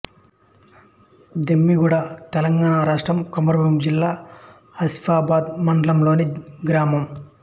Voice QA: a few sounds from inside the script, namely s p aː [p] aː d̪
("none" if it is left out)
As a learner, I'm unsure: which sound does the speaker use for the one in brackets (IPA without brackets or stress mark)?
b